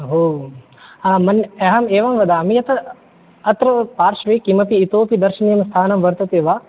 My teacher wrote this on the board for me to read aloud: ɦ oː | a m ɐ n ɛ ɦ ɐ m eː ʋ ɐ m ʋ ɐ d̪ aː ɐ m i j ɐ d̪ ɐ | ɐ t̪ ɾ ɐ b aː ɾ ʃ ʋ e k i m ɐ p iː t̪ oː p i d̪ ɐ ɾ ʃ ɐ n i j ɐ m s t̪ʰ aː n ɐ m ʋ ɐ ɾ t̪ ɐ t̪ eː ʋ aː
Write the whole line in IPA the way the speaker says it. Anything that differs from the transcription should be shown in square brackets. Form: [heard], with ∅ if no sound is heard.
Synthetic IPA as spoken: ɦ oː | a m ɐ n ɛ ɦ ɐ m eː ʋ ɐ m ʋ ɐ d̪ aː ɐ m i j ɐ [t̪] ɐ | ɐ t̪ ɾ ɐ [p] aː ɾ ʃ ʋ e k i m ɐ p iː t̪ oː p i d̪ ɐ ɾ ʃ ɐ n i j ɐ m s t̪ʰ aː n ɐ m ʋ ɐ ɾ t̪ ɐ t̪ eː ʋ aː

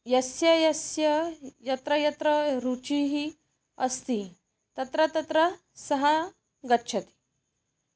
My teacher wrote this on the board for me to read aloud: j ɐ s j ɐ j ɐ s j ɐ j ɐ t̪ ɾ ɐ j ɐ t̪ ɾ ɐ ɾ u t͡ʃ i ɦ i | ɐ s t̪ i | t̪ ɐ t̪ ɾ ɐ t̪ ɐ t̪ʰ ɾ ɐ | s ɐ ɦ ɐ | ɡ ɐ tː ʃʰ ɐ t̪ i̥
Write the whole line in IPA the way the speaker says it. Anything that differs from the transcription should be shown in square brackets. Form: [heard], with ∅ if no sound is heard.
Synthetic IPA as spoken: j ɐ s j ɐ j ɐ s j ɐ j ɐ t̪ ɾ ɐ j ɐ t̪ ɾ ɐ ɾ u t͡ʃ i ɦ i | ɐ s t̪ i | t̪ ɐ t̪ ɾ ɐ t̪ ɐ [t̪] ɾ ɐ | s ɐ ɦ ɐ | ɡ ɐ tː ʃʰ ɐ t̪ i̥

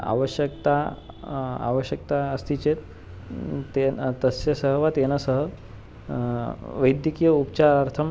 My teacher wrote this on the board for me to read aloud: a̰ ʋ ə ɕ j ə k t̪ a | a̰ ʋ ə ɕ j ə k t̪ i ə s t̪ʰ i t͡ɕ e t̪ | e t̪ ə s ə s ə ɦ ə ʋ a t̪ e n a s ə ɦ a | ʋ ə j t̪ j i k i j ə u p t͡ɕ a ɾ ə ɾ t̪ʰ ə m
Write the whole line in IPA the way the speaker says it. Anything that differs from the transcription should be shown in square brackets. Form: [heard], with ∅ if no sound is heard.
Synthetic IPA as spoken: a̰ ʋ ə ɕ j ə k t̪ a | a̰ ʋ ə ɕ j ə k t̪ [a] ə s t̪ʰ i t͡ɕ e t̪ | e t̪ ə s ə s ə ɦ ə ʋ a t̪ e n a s ə ɦ [ə] | ʋ ə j [d̪] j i k i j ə u p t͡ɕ a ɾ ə ɾ t̪ʰ ə m

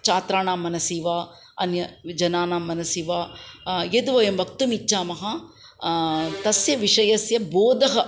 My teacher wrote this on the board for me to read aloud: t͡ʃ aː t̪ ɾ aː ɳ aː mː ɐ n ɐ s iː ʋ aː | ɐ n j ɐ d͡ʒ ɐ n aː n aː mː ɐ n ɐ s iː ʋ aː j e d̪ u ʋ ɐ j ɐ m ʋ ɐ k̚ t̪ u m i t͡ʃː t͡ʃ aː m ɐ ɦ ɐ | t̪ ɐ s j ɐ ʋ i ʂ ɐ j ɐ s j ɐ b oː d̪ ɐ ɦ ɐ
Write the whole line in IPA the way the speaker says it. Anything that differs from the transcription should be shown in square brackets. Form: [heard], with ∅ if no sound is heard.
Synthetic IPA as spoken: t͡ʃ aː t̪ ɾ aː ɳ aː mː ɐ n ɐ s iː ʋ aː | ɐ n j ɐ d͡ʒ ɐ n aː n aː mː ɐ n ɐ s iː ʋ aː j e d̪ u ʋ ɐ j ɐ m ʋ ɐ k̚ t̪ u m i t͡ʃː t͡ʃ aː m ɐ ɦ ɐ | t̪ ɐ s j ɐ ʋ i ʂ ɐ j ɐ s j ɐ b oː d̪ ɐ ɦ ɐ

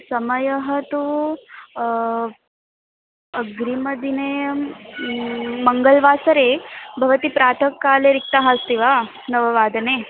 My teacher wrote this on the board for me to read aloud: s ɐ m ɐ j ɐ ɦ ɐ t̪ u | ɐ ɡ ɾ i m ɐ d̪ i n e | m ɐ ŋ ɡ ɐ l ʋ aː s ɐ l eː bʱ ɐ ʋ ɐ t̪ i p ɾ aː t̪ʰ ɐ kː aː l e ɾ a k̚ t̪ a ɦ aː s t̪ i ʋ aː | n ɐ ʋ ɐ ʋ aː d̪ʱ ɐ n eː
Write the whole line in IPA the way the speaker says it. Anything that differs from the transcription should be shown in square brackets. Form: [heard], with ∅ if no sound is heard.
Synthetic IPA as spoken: s ɐ m ɐ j ɐ ɦ ɐ t̪ u | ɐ ɡ ɾ i m ɐ d̪ i n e | m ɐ ŋ ɡ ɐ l ʋ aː s ɐ [ɾ] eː bʱ ɐ ʋ ɐ t̪ i p ɾ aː t̪ʰ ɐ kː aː l e ɾ [i] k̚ t̪ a ɦ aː s t̪ i ʋ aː | n ɐ ʋ ɐ ʋ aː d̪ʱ ɐ n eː

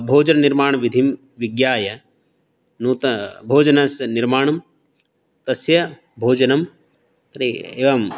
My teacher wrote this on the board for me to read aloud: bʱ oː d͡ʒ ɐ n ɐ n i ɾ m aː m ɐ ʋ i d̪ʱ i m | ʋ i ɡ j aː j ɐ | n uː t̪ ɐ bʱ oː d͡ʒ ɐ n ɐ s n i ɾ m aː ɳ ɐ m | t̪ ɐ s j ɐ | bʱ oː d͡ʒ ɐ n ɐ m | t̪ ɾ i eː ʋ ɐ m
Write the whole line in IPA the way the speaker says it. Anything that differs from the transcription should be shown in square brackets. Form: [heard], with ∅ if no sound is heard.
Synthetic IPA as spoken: bʱ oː d͡ʒ ɐ n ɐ n i ɾ m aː [ɳ] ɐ ʋ i d̪ʱ i m | ʋ i ɡ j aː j ɐ | n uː t̪ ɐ bʱ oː d͡ʒ ɐ n ɐ s n i ɾ m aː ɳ ɐ m | t̪ ɐ s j ɐ | bʱ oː d͡ʒ ɐ n ɐ m | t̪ ɾ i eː ʋ ɐ m

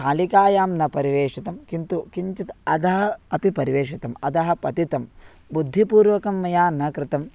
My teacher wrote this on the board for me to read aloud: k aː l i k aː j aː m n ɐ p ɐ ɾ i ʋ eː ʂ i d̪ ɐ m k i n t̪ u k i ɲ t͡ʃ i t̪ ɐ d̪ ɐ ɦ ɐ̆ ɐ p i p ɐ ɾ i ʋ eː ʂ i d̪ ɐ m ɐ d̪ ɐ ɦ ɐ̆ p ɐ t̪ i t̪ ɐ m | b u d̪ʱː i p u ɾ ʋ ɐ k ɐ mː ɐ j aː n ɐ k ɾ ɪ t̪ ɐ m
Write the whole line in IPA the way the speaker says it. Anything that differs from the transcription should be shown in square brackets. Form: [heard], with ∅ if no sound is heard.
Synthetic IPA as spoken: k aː l i k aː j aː m n ɐ p ɐ ɾ i ʋ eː ʂ i [t̪] ɐ m k i n t̪ u k i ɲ t͡ʃ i t̪ ɐ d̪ ɐ ɦ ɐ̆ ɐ p i p ɐ ɾ i ʋ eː ʂ i [t̪] ɐ m ɐ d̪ ɐ ɦ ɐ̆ p ɐ t̪ i t̪ ɐ m | b u d̪ʱː i p [uː] ɾ ʋ ɐ k ɐ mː ɐ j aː n ɐ k ɾ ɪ t̪ ɐ m

